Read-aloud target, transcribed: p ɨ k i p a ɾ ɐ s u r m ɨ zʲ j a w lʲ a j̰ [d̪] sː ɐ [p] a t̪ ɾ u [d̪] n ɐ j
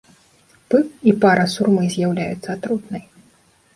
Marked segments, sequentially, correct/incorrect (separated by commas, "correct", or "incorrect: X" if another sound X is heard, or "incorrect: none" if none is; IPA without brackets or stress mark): incorrect: t̪, incorrect: none, incorrect: t̪